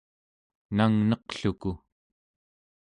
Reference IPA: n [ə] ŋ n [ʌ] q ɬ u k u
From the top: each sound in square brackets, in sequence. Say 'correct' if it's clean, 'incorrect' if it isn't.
incorrect, correct

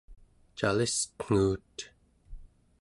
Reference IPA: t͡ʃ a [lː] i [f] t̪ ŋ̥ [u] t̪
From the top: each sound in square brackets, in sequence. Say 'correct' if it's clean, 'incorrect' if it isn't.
incorrect, incorrect, incorrect

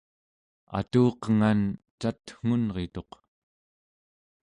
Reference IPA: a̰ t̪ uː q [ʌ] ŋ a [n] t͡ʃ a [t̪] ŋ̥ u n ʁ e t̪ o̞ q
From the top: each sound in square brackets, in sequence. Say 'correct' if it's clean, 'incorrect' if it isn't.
incorrect, correct, correct

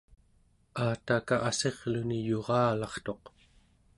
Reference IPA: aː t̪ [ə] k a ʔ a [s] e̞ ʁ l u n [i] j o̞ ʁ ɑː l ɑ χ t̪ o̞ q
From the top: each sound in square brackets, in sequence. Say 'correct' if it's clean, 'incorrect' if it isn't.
incorrect, correct, correct

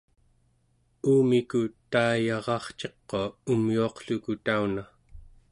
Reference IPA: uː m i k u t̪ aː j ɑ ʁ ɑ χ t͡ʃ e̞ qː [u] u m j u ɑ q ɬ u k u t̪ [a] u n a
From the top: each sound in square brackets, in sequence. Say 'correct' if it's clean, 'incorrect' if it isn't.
incorrect, correct

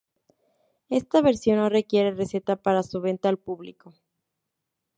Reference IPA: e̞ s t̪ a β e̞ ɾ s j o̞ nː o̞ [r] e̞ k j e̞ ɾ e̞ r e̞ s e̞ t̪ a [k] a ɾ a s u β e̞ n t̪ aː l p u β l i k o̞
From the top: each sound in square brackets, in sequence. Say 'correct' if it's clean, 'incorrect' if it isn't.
correct, incorrect

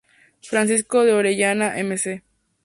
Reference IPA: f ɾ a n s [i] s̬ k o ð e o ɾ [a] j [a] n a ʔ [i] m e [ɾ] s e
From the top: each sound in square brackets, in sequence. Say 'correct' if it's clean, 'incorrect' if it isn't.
correct, incorrect, correct, incorrect, incorrect

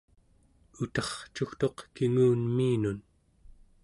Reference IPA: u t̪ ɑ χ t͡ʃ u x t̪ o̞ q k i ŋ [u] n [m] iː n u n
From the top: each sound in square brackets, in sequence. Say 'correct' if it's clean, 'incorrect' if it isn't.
incorrect, correct

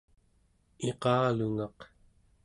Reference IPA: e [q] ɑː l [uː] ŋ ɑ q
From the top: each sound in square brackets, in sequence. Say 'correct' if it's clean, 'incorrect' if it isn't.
correct, incorrect

